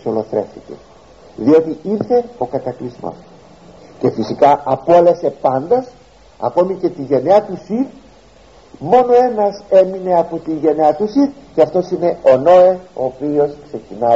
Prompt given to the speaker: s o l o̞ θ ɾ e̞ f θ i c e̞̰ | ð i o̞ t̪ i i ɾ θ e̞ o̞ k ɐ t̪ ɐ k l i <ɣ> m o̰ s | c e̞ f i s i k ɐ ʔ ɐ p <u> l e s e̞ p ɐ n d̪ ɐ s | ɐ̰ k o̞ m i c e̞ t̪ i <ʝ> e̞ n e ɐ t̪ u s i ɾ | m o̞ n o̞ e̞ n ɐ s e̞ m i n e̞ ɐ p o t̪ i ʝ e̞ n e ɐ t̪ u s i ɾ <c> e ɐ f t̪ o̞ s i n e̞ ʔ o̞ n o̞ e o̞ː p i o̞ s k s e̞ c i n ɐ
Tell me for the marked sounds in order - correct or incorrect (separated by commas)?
incorrect, incorrect, correct, correct